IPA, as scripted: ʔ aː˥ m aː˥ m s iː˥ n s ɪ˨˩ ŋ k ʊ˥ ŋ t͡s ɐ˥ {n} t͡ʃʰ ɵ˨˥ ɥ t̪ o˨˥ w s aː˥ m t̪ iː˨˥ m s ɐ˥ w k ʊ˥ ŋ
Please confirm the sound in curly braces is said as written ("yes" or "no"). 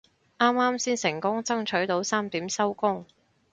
no